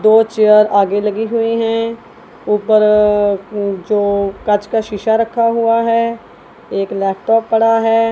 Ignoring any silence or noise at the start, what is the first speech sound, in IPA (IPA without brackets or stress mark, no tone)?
d̪